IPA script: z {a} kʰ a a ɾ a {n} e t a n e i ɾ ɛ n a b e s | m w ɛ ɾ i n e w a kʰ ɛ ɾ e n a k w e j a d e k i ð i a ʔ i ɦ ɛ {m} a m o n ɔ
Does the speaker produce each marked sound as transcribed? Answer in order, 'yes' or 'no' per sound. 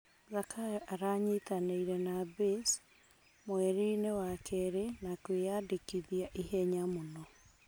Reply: yes, no, no

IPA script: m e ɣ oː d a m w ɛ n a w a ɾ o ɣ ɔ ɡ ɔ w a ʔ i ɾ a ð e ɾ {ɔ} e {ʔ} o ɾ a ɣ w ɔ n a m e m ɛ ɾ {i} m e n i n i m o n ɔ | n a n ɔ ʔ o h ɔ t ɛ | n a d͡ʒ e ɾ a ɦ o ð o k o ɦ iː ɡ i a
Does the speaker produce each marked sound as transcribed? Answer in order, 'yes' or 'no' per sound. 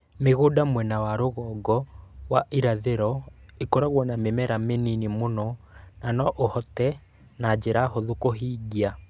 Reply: yes, no, no

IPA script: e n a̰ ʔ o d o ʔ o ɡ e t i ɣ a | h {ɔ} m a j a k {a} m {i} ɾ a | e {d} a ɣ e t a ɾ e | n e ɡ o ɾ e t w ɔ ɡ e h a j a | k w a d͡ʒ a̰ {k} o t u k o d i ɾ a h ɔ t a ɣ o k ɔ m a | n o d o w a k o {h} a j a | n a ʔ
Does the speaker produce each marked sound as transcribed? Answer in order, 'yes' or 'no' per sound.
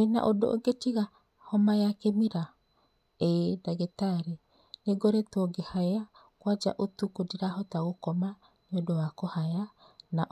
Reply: yes, no, yes, yes, no, yes

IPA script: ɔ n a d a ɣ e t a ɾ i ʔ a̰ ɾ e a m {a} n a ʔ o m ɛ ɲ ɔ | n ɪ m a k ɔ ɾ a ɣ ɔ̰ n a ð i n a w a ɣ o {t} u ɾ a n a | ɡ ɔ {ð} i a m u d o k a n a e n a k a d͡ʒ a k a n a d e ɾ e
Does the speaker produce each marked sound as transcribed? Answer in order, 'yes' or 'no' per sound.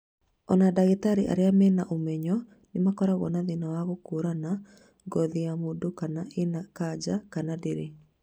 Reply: no, no, yes

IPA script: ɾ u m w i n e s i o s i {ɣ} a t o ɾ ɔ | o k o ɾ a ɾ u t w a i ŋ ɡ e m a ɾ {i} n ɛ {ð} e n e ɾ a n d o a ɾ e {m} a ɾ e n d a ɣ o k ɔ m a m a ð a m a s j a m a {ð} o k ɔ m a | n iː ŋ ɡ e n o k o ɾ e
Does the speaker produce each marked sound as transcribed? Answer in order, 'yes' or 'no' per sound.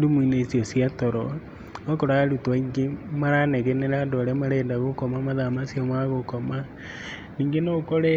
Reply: no, no, no, yes, no

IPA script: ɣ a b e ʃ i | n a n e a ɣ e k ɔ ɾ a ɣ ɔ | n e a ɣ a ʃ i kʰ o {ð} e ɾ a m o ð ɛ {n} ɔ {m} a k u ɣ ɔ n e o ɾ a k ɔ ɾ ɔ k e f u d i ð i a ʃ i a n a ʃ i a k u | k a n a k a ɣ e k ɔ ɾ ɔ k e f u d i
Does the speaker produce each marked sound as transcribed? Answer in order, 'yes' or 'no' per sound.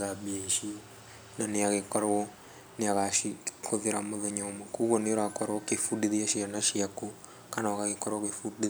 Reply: yes, no, yes

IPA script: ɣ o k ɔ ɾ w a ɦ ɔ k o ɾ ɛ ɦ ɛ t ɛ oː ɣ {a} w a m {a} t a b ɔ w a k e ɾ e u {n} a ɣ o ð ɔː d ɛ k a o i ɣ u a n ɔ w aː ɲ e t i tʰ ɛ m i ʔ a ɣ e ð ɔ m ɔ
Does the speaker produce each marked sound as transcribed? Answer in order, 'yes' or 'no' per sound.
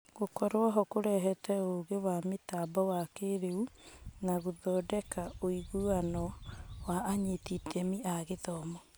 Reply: no, no, yes

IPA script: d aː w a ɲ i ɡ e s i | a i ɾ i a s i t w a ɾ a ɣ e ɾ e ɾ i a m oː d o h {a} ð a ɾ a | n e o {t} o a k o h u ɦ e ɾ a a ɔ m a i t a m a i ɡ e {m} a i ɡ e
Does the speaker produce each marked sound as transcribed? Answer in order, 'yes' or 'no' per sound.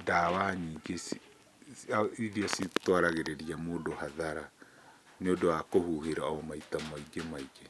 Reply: yes, no, yes

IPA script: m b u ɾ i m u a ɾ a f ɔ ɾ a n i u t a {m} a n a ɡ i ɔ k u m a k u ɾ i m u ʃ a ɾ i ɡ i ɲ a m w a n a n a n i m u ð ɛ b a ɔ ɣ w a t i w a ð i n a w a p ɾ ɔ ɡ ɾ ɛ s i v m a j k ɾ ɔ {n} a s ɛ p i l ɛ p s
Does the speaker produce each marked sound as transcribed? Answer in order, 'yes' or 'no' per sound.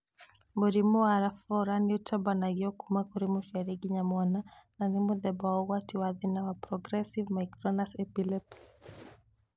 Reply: no, yes

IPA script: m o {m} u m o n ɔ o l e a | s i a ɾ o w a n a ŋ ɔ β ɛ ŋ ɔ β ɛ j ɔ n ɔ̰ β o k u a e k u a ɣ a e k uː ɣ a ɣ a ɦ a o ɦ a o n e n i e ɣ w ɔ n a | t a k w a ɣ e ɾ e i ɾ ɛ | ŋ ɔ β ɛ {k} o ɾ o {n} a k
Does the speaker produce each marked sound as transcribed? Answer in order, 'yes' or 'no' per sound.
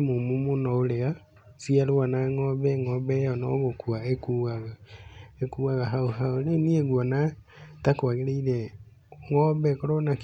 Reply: yes, yes, yes

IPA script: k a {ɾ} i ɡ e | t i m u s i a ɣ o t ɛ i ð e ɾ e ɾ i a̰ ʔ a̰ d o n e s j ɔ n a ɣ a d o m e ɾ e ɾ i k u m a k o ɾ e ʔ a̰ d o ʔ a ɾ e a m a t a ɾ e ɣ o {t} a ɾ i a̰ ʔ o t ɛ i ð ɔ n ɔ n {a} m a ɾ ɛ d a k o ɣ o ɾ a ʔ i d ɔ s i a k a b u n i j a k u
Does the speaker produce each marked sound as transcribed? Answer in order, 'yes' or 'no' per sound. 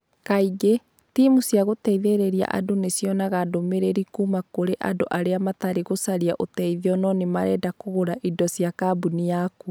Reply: no, no, no

